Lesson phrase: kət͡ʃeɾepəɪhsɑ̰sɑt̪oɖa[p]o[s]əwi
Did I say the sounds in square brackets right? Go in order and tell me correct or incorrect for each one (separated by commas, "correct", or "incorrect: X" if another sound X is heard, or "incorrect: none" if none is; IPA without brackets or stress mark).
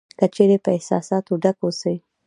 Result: incorrect: k, correct